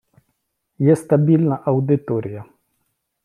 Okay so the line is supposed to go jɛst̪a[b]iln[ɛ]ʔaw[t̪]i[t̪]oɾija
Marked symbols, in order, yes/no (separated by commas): yes, no, no, yes